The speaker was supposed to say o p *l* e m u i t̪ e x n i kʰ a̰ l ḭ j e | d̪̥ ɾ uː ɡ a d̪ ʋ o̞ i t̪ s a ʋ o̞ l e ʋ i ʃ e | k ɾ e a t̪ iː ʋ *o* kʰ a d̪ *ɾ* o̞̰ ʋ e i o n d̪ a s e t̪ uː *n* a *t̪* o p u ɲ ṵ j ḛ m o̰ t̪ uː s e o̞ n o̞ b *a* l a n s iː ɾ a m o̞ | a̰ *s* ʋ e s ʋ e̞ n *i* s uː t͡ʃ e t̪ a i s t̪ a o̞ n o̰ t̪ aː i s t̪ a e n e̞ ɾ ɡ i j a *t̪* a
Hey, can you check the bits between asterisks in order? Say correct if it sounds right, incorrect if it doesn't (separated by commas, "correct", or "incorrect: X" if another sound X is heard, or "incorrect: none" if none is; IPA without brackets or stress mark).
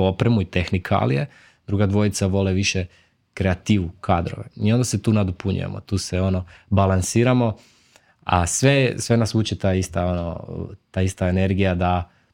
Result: incorrect: ɾ, incorrect: u, correct, correct, incorrect: d̪, correct, correct, incorrect: a, incorrect: d̪